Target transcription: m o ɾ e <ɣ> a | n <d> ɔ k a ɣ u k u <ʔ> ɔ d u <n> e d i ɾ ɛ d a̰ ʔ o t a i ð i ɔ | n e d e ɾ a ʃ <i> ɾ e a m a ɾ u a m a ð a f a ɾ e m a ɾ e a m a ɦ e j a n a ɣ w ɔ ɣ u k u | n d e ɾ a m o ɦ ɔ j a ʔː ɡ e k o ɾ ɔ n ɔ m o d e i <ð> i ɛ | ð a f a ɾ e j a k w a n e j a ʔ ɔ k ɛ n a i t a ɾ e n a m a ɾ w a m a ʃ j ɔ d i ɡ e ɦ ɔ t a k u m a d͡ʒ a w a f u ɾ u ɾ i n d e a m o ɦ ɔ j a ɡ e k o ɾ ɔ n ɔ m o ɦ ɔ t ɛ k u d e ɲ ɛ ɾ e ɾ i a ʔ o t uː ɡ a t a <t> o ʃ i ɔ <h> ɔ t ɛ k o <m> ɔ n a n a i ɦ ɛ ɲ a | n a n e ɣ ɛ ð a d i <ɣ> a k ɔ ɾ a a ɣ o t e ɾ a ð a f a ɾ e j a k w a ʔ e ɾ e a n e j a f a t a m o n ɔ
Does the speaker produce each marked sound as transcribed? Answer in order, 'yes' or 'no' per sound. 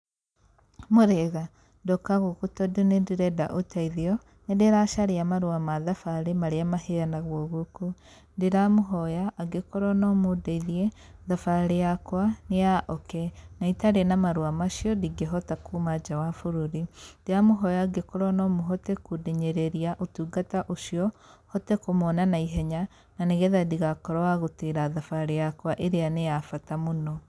yes, yes, no, yes, no, yes, no, yes, yes, yes

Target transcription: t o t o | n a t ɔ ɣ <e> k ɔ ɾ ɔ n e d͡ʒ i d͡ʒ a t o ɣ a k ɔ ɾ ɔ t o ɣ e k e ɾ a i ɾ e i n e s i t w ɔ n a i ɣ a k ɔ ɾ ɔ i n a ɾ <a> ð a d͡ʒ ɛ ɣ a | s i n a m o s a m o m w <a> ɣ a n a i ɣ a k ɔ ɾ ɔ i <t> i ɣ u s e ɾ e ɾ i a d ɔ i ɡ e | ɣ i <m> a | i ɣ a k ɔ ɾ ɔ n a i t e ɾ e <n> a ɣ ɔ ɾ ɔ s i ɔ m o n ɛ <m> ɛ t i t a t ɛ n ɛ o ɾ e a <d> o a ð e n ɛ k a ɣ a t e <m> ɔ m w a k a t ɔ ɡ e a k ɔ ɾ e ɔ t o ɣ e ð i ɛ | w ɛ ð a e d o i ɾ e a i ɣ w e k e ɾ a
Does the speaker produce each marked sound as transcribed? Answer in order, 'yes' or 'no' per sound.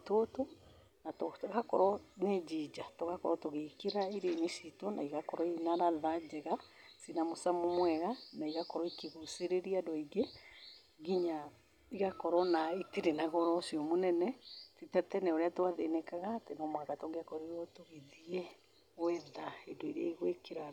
no, yes, no, no, no, yes, no, no, no

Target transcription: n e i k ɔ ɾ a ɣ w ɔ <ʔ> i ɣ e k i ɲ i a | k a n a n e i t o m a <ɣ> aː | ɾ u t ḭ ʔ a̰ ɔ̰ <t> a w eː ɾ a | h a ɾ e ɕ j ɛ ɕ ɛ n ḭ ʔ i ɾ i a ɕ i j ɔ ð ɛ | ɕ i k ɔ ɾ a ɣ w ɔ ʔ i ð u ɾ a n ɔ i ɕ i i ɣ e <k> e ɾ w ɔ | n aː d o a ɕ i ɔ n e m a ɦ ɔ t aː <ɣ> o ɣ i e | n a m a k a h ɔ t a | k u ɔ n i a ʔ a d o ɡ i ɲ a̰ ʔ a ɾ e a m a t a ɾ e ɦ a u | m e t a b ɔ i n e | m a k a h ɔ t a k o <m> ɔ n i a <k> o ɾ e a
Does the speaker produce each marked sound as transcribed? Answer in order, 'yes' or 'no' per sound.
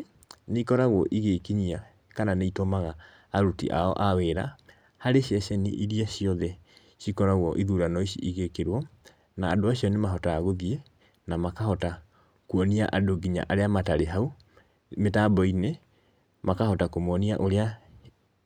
yes, yes, no, yes, yes, yes, no

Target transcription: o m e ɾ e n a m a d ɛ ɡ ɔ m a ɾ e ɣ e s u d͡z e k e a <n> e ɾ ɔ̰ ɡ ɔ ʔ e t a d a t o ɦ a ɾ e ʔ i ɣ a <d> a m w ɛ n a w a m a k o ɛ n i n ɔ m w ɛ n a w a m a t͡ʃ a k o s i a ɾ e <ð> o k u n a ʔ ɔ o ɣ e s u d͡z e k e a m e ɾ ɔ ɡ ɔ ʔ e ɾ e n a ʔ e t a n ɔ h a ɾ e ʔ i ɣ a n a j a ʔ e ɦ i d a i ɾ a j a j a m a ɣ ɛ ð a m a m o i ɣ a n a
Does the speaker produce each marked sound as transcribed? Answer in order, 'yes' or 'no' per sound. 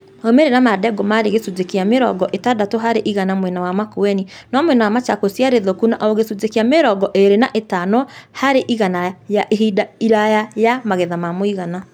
no, no, yes

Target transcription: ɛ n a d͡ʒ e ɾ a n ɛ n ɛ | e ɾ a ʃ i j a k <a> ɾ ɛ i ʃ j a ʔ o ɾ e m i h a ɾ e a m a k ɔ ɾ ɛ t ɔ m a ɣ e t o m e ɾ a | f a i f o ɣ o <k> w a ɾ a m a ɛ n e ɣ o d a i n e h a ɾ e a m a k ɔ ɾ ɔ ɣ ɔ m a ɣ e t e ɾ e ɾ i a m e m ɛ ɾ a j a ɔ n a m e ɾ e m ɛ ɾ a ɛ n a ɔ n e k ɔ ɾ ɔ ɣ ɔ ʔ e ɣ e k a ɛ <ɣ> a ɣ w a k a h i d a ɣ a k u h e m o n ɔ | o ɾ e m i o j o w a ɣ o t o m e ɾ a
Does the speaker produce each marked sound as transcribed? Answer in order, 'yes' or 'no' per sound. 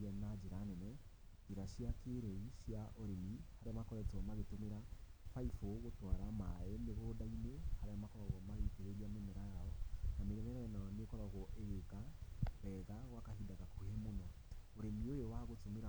no, no, yes

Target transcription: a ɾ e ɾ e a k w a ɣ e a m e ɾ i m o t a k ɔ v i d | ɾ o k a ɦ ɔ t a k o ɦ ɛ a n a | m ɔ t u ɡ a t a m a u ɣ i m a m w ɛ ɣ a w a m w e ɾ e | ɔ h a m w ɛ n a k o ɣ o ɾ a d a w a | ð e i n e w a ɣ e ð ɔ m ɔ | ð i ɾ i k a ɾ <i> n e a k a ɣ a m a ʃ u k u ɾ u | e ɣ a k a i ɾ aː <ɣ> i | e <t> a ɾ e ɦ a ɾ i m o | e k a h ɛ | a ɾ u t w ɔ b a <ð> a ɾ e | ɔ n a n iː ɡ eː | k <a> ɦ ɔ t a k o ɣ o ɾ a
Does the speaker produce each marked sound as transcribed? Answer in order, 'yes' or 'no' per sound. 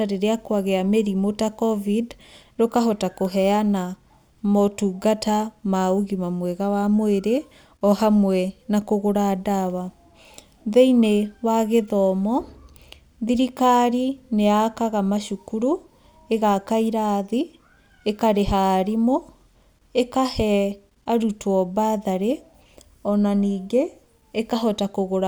yes, no, no, yes, yes

